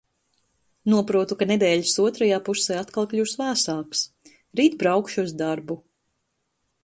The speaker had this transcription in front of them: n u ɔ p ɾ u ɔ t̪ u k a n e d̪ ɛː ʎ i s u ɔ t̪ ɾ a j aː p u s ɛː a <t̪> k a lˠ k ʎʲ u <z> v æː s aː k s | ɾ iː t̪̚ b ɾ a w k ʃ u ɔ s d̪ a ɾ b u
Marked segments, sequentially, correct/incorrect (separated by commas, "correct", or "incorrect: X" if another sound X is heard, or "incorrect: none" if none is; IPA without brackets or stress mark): correct, incorrect: s